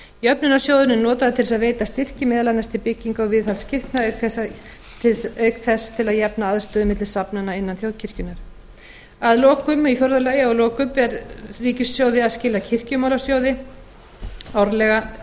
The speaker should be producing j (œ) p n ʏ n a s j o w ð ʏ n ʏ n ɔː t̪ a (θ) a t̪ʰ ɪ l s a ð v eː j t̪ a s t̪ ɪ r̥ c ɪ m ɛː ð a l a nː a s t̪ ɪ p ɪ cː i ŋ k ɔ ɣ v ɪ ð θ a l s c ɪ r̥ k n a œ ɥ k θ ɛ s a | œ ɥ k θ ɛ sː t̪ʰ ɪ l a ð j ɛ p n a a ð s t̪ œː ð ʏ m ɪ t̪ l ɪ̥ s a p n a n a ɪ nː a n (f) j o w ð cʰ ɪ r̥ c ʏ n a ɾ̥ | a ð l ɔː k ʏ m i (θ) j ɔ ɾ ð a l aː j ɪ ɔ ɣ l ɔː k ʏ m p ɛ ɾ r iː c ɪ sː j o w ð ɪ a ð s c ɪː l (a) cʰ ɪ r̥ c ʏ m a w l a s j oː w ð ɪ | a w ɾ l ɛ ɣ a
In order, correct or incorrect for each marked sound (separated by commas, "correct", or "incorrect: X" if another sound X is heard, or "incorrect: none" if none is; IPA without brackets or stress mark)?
correct, incorrect: ð, incorrect: θ, incorrect: f, correct